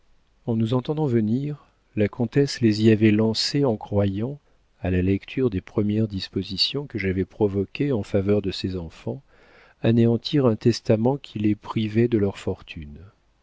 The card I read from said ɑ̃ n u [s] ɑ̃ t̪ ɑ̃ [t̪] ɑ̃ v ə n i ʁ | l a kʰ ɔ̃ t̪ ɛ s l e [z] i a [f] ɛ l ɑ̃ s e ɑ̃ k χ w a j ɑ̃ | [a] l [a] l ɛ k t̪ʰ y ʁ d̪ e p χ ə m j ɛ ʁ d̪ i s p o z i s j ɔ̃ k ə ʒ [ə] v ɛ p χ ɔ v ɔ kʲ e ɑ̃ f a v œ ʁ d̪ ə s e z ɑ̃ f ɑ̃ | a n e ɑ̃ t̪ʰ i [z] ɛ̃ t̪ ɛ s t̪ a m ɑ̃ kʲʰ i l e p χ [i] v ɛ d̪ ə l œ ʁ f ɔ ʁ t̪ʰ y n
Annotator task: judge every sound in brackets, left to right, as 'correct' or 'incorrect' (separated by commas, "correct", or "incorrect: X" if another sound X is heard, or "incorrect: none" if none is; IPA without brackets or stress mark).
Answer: incorrect: z, incorrect: d̪, correct, incorrect: v, correct, correct, incorrect: a, incorrect: ʁ, correct